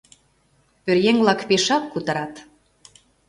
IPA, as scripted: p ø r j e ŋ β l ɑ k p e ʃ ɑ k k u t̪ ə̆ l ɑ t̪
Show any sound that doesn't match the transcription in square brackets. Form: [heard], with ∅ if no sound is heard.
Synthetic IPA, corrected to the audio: p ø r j e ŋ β l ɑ k p e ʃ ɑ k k u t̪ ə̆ [ɾ] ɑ t̪